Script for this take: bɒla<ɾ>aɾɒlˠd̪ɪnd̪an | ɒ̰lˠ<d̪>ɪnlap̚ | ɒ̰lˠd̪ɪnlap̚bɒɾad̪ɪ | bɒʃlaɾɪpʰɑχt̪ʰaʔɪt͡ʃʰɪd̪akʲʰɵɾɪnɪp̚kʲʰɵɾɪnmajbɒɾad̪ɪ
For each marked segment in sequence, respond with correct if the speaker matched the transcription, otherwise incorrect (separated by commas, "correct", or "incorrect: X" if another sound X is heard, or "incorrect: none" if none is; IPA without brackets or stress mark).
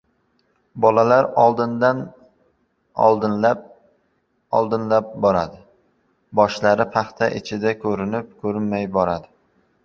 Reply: incorrect: l, correct